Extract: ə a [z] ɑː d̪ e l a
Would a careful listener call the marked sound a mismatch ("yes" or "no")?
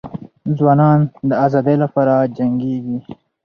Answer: no